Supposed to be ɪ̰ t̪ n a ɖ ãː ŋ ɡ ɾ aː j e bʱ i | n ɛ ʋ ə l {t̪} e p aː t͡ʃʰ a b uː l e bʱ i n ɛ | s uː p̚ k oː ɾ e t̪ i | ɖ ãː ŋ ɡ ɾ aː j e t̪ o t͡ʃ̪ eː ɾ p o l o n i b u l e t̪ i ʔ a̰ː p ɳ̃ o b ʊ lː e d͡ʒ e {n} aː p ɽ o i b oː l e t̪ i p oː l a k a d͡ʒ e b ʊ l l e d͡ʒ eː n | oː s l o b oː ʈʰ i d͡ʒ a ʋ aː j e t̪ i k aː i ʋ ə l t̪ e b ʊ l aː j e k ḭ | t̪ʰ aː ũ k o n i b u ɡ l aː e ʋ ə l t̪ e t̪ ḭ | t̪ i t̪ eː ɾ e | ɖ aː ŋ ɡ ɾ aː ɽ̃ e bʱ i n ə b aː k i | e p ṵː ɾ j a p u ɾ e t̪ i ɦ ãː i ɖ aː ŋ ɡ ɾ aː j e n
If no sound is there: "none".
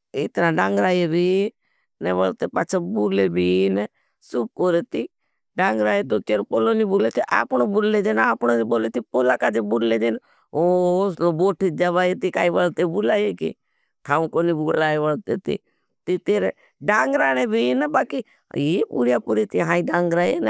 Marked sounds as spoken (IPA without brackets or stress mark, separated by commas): t̪, n